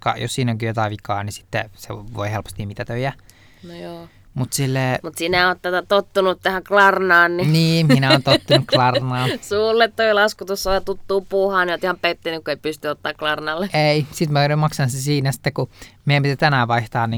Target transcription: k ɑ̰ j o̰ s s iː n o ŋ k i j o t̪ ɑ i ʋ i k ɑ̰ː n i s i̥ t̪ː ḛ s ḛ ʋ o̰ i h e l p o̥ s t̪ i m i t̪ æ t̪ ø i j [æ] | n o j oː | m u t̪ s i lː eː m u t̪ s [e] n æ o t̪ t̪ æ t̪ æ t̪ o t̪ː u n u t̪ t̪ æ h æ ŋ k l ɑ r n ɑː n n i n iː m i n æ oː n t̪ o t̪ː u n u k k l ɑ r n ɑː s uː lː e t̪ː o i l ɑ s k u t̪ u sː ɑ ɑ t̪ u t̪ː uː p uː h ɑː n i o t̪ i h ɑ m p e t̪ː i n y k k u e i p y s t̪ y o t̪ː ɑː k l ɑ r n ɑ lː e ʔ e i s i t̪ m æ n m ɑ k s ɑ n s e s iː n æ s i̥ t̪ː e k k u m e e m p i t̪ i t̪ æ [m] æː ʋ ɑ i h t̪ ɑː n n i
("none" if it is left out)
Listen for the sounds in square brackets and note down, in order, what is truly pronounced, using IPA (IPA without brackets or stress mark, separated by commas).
æ, i, n